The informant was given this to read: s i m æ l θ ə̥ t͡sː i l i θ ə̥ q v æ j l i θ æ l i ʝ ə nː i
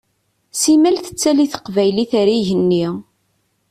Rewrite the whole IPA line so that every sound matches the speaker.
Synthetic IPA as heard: s i m æ l θ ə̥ t͡sː æ l i θ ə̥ q v æ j l i θ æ ɾ i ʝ ə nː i